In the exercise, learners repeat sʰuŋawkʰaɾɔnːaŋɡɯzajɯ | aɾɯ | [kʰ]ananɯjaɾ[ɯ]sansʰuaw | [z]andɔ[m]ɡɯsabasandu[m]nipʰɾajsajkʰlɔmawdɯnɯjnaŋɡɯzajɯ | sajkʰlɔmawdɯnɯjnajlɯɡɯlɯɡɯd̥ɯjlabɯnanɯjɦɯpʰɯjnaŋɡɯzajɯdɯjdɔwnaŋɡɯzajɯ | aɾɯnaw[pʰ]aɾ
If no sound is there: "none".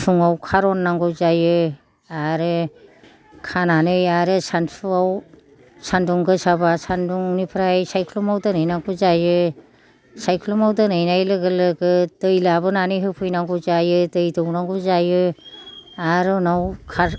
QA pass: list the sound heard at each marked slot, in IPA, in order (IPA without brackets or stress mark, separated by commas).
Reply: kʰ, ɯ, s, ŋ, ŋ, kʰ